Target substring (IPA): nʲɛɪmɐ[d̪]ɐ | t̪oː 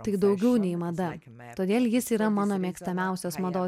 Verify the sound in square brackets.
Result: correct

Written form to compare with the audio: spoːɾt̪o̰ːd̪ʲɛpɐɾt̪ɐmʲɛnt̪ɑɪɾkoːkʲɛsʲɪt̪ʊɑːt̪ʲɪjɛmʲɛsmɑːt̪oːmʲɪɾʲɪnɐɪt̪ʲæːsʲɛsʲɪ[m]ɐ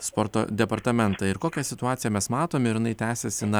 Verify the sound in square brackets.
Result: incorrect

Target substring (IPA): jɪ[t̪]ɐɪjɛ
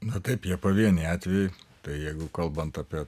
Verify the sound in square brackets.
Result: correct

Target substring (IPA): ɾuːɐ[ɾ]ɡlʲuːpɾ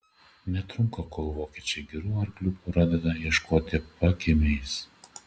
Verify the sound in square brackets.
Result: correct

